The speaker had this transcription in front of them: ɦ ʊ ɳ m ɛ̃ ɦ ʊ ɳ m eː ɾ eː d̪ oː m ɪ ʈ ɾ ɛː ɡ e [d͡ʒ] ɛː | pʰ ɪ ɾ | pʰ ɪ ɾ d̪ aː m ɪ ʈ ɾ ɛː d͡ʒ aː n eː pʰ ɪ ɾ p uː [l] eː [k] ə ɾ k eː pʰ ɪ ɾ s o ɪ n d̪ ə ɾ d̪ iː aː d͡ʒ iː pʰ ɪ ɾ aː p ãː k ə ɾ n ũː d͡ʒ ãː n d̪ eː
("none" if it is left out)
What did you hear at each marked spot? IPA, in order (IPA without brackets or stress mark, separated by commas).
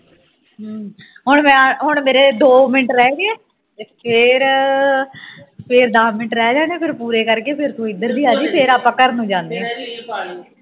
none, ɾ, k